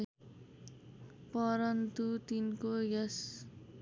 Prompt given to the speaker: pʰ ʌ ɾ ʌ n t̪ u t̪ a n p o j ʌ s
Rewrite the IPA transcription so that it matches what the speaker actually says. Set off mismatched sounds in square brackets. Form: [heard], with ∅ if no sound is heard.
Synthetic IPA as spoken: [p] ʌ ɾ ʌ n t̪ u t̪ [i] n [k] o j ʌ s